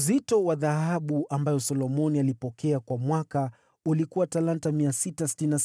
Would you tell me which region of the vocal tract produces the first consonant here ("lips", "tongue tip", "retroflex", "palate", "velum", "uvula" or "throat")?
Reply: tongue tip